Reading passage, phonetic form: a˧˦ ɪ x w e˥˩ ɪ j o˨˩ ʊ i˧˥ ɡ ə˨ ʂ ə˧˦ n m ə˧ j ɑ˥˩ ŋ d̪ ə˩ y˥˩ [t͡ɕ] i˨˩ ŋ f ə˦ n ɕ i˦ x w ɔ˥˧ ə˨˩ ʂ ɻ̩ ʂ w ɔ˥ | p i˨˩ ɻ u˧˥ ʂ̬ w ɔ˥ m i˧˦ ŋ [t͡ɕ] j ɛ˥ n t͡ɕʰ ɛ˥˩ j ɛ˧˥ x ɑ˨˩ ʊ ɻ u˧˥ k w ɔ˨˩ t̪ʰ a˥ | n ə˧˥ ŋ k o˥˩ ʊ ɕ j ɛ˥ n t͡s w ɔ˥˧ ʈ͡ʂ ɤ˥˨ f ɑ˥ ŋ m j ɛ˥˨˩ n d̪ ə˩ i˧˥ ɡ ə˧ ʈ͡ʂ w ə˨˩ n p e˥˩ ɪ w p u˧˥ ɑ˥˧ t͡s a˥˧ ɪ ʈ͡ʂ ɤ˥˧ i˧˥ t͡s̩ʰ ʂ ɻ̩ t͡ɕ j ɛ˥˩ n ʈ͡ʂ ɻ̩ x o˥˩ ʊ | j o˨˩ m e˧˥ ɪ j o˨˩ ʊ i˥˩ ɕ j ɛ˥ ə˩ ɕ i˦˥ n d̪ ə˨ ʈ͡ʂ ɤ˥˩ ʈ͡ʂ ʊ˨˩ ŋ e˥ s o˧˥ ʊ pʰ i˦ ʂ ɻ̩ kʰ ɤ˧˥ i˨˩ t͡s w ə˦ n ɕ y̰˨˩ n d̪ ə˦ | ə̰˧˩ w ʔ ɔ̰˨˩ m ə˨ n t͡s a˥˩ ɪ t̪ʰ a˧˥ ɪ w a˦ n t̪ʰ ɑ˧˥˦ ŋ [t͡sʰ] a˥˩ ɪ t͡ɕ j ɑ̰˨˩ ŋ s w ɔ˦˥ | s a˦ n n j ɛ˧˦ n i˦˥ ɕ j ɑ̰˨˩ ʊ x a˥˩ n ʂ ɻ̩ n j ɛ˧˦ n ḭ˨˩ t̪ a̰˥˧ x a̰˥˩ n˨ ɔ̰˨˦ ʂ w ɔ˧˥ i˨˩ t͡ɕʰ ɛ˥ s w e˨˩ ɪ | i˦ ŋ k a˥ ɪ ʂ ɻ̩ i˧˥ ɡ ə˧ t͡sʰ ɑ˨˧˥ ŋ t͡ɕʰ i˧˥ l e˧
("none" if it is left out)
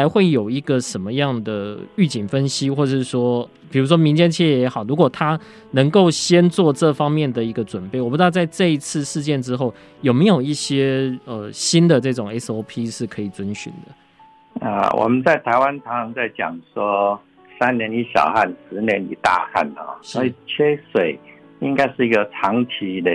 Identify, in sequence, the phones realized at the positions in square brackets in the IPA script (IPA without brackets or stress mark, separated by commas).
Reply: t͡ɕ, t͡ɕ, t͡s